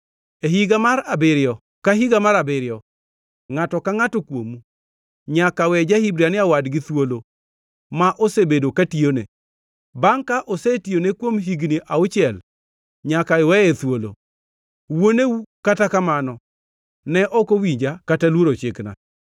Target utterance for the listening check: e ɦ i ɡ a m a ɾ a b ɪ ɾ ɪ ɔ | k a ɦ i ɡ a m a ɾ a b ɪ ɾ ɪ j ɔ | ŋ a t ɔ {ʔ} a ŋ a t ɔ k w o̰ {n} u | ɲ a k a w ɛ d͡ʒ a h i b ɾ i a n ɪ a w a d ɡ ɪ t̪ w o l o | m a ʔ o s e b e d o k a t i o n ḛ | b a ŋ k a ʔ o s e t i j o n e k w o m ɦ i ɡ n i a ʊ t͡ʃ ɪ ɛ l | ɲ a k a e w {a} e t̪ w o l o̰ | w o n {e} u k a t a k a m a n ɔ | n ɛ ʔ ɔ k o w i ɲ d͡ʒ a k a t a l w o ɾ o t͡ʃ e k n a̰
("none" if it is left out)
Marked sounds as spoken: k, m, ɛ, e

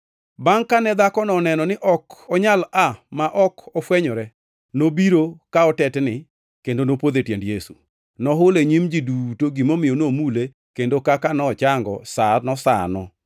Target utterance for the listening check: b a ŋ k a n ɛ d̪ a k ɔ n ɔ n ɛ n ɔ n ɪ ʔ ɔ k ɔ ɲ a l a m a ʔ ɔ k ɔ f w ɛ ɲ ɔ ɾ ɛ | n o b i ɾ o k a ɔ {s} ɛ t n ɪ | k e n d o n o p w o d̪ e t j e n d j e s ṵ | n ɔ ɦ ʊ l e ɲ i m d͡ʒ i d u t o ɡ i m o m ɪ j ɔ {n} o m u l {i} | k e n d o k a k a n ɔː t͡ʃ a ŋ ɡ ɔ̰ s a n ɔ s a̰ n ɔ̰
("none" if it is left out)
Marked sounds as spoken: t, n, e

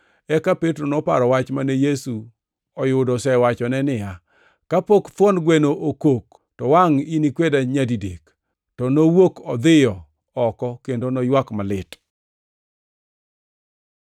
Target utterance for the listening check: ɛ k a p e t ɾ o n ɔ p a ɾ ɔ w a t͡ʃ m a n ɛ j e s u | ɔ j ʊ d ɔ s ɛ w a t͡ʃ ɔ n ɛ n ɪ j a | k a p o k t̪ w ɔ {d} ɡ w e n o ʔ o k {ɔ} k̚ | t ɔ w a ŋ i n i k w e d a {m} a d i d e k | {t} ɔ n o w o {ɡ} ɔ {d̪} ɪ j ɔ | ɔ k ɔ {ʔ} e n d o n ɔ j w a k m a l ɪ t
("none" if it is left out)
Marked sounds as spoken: n, o, ɲ, t, k, d̪, k

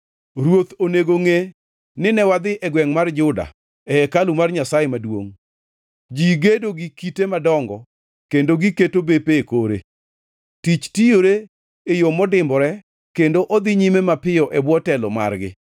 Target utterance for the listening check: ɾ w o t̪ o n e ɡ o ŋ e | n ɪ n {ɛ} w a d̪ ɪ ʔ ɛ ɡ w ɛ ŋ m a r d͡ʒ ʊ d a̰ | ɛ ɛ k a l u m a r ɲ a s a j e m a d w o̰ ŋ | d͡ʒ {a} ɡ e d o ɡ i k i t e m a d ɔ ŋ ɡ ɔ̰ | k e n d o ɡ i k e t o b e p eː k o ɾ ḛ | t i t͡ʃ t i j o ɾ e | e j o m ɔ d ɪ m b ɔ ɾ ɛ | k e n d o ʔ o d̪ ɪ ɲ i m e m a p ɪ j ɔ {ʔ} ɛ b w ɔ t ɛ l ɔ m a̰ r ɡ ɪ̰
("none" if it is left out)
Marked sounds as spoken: ɛ, i, ʔ

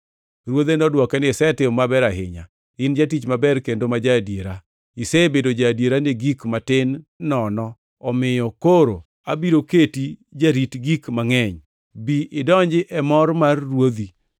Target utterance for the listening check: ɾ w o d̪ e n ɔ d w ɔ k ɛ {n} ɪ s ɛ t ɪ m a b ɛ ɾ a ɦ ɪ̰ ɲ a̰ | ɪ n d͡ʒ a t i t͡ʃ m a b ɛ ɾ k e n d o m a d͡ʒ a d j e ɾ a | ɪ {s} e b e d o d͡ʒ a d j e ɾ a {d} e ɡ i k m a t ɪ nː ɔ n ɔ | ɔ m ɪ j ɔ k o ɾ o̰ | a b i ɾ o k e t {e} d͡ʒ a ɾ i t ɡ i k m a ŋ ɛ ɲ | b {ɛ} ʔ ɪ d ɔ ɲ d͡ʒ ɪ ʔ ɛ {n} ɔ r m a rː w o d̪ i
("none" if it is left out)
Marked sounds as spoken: n, s, n, i, i, m

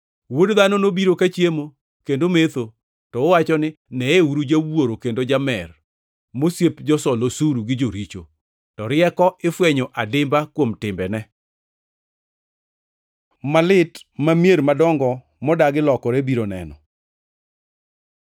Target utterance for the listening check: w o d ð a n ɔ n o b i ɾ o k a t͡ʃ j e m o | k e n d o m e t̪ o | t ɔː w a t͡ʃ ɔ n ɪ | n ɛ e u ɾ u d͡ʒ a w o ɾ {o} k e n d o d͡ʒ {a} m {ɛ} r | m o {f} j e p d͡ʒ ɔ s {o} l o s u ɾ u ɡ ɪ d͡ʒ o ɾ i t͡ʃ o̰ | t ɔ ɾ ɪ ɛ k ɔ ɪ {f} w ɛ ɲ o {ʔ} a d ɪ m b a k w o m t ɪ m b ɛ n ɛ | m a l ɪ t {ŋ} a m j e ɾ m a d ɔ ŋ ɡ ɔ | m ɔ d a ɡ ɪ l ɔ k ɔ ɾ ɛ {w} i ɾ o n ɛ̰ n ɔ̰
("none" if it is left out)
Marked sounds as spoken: o, a, ɛ, s, ɔ, f, ʔ, m, b

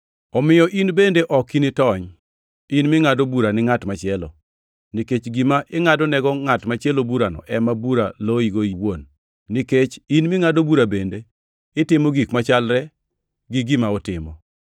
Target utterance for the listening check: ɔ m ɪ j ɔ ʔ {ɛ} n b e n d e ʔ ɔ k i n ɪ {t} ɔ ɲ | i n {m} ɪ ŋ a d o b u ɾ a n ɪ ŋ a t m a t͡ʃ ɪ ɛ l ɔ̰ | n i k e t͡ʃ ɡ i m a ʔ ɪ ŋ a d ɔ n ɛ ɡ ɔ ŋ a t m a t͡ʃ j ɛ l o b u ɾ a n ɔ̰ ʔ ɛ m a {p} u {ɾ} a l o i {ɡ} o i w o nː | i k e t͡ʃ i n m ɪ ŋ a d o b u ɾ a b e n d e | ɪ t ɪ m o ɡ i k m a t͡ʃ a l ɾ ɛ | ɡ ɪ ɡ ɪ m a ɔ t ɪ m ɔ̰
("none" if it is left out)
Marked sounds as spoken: i, t, m, b, ɾ, ɡ

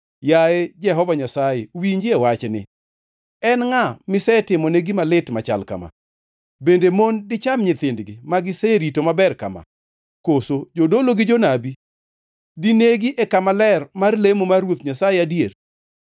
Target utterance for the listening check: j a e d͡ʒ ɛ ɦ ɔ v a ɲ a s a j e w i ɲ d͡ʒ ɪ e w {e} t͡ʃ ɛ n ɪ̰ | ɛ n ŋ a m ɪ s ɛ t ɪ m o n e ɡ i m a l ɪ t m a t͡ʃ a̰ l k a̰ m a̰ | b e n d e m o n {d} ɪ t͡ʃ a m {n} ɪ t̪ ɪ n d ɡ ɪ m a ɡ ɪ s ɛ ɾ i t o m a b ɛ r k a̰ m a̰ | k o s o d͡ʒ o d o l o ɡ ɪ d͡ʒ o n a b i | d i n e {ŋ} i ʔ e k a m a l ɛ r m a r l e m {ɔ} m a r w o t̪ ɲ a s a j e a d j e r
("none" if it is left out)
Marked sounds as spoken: a, d, ɲ, ɡ, o

